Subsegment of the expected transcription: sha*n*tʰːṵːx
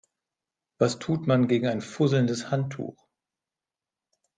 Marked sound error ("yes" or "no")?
no